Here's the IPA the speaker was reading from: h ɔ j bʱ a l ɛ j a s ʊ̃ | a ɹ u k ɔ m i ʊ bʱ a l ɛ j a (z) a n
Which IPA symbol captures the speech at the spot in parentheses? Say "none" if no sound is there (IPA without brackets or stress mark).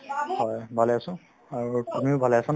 s